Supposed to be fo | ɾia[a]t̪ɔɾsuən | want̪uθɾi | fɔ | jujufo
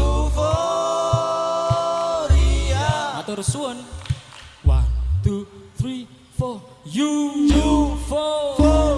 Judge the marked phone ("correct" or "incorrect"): correct